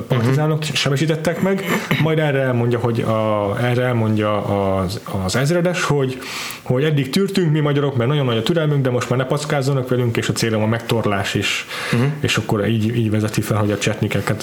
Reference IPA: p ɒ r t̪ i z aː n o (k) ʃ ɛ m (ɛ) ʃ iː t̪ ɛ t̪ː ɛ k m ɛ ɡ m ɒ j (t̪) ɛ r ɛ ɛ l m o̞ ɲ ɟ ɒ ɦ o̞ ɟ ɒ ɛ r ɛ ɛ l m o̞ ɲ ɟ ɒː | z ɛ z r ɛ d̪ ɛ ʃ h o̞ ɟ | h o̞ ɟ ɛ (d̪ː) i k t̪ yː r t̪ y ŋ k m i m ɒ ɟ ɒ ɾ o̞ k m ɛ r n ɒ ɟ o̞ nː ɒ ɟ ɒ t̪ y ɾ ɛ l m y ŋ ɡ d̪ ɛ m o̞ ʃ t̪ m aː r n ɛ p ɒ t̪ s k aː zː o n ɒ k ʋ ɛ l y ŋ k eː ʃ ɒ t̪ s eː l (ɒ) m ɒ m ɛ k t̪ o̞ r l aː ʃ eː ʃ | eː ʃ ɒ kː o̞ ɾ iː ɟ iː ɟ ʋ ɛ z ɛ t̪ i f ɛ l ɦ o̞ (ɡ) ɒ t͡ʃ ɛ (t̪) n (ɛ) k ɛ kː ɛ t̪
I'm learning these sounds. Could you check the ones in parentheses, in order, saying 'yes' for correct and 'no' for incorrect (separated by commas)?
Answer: yes, yes, no, yes, no, no, yes, no